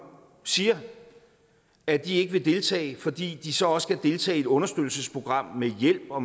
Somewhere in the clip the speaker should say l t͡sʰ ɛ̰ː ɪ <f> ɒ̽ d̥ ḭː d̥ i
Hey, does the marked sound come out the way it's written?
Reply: yes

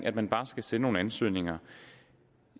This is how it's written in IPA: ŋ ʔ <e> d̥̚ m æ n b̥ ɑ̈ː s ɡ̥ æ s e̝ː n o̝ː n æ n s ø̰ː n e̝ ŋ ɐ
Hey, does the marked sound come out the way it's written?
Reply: no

